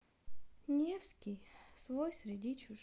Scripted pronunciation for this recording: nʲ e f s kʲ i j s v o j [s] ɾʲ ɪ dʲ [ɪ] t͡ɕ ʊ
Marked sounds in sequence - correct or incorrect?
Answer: correct, incorrect: i

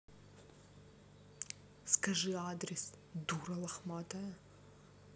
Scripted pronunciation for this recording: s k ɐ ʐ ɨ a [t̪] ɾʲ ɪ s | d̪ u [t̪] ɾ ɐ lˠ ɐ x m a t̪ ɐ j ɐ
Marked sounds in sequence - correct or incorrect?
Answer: incorrect: d̪, incorrect: none

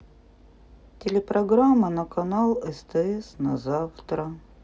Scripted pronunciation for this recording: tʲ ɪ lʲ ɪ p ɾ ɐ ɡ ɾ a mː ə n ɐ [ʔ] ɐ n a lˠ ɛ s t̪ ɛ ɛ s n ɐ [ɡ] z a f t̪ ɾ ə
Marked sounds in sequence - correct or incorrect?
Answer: incorrect: k, incorrect: none

